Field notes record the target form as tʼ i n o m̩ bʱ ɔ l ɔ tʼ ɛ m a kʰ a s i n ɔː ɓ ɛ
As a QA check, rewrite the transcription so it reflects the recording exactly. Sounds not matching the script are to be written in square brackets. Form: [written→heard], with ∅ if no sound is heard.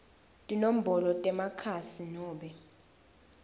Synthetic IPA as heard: tʼ i n o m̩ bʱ ɔ l ɔ tʼ ɛ m a kʰ a s i n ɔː ɓ ɛ